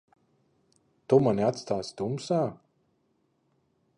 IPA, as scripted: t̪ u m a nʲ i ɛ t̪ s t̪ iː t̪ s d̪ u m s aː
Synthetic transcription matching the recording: t̪ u m a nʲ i a t̪ s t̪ aː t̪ s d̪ u m s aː

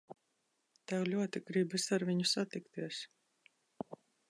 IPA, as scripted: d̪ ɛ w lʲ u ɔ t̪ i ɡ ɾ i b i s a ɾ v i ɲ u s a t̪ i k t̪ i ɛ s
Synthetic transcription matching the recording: t̪ ɛ w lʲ u ɔ t̪ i ɡ ɾ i b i s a ɾ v i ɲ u s a t̪ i k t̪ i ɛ s

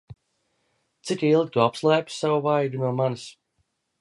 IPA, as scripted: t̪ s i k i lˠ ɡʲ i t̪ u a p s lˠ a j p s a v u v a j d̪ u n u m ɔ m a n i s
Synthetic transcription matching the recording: t̪ s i k i lˠ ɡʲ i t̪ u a p s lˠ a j p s a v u v a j d̪ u n u ɔ m a n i s

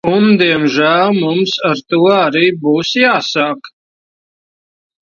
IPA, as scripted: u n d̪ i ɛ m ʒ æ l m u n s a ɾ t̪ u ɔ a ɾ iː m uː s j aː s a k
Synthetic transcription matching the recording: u n d̪ i ɛ m ʒ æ l m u m s a ɾ t̪ u ɔ a ɾ iː b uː s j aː s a k

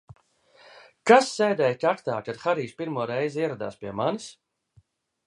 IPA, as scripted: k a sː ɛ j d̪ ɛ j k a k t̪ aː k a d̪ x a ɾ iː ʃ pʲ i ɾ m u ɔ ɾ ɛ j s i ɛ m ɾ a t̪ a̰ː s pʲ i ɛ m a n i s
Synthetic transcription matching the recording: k a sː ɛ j d̪ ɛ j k a k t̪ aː k a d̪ x a ɾ iː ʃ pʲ i ɾ m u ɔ ɾ ɛ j z i ɛ ɾ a d̪ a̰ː s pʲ i ɛ m a n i s

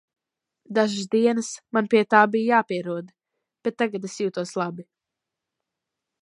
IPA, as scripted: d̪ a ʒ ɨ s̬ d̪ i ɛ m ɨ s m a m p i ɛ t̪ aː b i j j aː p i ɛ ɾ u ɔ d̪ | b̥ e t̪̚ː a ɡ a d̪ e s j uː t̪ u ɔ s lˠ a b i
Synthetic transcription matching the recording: d̪ a ʒ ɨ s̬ d̪ i ɛ n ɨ s m a n p i ɛ t̪ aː b i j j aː p i ɛ ɾ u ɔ d̪ | b̥ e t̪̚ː a ɡ a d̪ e s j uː t̪ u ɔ s lˠ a b i

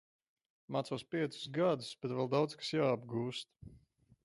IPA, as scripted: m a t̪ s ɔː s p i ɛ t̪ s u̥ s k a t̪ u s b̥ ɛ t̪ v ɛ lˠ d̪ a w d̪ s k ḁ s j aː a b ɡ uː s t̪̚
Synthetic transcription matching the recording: m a t̪ s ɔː s p i ɛ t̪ s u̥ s ɡ a d̪ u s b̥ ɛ t̪ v ɛ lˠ d̪ a w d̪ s k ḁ s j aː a b ɡ uː s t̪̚

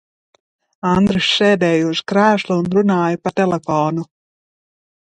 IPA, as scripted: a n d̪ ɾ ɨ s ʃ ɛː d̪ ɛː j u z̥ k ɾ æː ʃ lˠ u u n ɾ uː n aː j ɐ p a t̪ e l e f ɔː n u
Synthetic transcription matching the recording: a n d̪ ɾ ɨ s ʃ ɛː d̪ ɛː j u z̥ k ɾ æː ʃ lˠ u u n ɾ u n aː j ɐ p a t̪ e l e f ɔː n u

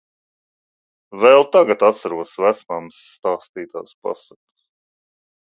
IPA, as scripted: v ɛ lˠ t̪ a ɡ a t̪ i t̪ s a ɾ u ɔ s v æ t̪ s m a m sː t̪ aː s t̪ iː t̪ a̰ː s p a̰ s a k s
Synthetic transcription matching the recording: v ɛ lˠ t̪ a ɡ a t̪ a t̪ s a ɾ u ɔ s v æ t̪ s m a m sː t̪ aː s t̪ iː t̪ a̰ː s p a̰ s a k s

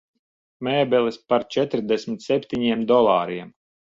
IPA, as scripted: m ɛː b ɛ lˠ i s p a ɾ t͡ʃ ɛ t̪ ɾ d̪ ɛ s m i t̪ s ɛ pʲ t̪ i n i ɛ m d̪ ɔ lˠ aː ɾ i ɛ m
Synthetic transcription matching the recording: m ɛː b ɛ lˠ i s p a ɾ t͡ʃ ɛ t̪ ɾ d̪ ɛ s m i t̪ s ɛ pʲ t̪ i ɲ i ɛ m d̪ ɔ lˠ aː ɾ i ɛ m

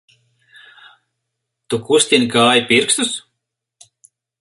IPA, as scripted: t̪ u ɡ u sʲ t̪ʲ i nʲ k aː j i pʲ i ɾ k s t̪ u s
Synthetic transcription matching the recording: t̪ u k u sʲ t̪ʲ i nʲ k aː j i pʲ i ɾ k s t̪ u s

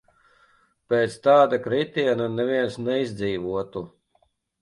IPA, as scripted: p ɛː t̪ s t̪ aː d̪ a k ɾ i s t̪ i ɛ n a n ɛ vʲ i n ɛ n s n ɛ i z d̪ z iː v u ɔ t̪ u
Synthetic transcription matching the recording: p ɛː t̪ s t̪ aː d̪ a k ɾ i t̪ i ɛ n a n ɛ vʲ i ɛ n s n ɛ i z d̪ z iː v u ɔ t̪ u

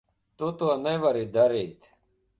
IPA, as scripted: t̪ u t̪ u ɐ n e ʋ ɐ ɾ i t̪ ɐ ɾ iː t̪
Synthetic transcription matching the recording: t̪ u t̪ u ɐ n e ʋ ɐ ɾ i d̪ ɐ ɾ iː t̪

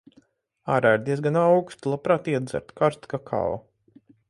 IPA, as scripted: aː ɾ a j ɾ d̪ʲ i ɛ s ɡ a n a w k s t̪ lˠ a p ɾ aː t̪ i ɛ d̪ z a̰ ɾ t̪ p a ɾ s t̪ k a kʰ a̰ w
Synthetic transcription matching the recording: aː ɾ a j ɾ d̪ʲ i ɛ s ɡ a n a w k s t̪ lˠ a p ɾ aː t̪ i ɛ d̪ z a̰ ɾ t̪ k a ɾ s t̪ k a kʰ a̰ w

